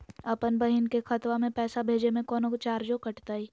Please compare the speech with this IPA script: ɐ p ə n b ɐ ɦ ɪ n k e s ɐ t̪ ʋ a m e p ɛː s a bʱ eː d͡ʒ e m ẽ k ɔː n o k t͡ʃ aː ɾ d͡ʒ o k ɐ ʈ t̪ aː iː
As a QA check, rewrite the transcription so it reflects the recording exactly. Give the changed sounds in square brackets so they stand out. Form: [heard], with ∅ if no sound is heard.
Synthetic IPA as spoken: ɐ p ə n b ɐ ɦ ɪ n k e [x] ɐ t̪ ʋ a m [ẽ] p ɛː s a bʱ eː d͡ʒ e m ẽ k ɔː n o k t͡ʃ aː ɾ d͡ʒ o k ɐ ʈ t̪ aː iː